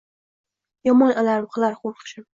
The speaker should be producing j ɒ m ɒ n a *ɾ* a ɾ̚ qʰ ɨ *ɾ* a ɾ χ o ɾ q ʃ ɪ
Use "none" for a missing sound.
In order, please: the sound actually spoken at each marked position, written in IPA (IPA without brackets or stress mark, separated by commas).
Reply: l, l